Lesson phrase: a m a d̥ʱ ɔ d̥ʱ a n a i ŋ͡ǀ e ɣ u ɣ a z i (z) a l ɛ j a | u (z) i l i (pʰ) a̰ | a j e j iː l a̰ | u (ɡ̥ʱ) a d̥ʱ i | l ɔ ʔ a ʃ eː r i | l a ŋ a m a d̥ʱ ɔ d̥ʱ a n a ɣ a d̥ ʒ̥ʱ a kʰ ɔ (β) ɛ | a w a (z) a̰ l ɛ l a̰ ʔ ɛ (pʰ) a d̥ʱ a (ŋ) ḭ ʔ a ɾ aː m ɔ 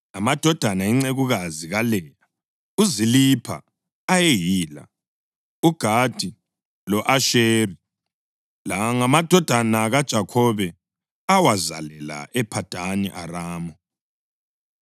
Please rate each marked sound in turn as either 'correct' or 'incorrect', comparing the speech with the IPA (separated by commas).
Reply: incorrect, correct, correct, correct, correct, correct, correct, incorrect